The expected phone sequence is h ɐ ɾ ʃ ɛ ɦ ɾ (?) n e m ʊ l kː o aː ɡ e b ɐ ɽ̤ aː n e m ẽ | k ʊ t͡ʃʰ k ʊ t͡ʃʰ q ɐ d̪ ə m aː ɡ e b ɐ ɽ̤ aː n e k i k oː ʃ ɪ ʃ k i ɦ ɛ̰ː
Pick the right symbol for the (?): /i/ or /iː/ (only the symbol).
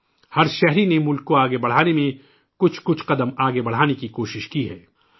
i